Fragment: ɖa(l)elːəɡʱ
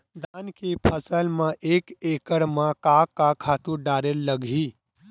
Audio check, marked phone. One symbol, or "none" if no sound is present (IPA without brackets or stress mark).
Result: ɾ